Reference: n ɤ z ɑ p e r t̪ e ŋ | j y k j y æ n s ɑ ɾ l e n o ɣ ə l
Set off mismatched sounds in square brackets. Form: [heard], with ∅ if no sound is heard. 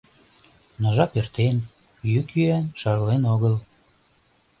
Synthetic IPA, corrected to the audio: n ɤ [ʒ] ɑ p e r t̪ e [n] | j y k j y æ n [ʃ] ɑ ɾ l e n o ɣ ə l